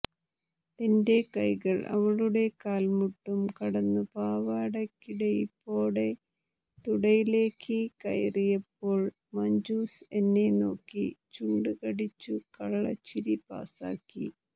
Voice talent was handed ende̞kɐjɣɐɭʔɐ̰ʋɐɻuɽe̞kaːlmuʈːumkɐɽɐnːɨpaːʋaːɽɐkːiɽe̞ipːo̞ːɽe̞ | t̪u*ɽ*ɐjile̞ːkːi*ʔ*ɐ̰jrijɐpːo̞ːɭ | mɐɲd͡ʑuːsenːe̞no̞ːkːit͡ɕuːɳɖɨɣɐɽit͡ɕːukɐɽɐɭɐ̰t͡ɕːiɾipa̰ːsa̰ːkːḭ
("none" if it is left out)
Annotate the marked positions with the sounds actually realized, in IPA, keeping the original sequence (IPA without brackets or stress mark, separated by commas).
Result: ɽ, k